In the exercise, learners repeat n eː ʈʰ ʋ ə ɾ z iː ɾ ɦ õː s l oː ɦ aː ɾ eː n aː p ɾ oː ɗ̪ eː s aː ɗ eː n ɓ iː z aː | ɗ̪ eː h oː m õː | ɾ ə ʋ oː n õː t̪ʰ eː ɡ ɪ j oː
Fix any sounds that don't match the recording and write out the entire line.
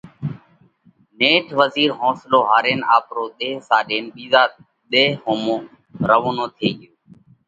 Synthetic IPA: n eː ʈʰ ʋ ə z iː ɾ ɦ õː s l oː ɦ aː ɾ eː n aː p ɾ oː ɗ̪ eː s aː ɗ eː n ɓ iː z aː | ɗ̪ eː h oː m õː | ɾ ə ʋ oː n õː t̪ʰ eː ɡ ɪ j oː